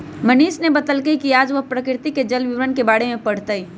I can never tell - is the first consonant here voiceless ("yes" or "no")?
no